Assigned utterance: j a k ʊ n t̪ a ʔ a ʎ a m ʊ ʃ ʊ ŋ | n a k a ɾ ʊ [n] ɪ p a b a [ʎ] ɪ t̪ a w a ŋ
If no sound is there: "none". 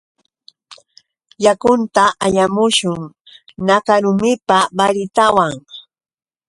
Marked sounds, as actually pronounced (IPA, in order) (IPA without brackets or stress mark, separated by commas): m, ɾ